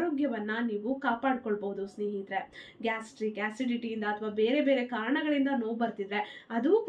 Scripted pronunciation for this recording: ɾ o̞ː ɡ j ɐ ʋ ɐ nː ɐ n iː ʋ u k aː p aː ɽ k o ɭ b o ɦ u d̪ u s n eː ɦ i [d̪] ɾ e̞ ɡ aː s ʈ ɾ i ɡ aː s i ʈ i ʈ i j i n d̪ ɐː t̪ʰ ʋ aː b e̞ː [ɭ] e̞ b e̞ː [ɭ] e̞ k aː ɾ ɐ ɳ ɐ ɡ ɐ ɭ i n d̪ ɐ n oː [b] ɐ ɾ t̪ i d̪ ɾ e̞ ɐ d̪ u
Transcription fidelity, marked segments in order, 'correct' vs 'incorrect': incorrect: t̪, incorrect: ɾ, incorrect: ɾ, correct

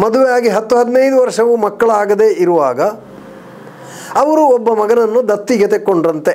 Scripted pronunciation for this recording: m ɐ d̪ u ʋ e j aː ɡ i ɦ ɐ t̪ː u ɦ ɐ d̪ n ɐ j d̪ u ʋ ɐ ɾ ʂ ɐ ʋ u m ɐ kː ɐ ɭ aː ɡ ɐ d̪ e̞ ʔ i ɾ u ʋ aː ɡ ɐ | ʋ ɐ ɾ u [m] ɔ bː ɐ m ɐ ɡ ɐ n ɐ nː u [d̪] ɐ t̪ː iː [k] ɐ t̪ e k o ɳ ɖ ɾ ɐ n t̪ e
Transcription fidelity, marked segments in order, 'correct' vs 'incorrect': incorrect: none, correct, incorrect: ɡ

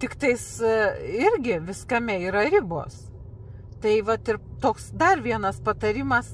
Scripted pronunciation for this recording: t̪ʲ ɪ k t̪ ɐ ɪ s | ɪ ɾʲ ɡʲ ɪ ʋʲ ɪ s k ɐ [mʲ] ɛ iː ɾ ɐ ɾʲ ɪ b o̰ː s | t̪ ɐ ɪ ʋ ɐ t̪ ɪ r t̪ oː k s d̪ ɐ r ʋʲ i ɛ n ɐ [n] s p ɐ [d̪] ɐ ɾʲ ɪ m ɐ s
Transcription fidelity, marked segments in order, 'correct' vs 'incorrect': correct, incorrect: none, incorrect: t̪

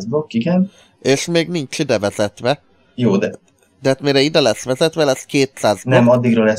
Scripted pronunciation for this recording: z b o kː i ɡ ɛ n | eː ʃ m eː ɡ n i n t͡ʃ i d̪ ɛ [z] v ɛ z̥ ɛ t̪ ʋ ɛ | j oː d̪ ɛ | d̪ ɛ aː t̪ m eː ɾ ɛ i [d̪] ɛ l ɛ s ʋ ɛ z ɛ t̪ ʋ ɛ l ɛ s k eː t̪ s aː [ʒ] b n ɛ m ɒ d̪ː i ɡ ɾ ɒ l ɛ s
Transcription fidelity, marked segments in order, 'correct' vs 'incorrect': incorrect: none, correct, incorrect: z

